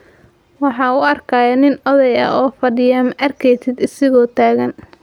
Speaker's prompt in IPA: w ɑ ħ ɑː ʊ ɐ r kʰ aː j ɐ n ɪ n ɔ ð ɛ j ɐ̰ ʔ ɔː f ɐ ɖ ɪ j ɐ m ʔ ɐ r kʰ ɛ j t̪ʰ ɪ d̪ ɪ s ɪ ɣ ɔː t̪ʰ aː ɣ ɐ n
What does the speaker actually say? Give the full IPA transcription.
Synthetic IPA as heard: w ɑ ħ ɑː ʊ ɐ r kʰ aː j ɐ n ɪ n ɔ ð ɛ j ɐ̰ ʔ ɔː f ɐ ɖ ɪ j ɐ m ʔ ɐ r kʰ ɛ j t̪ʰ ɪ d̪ ɪ s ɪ ɣ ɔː t̪ʰ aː ɣ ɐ n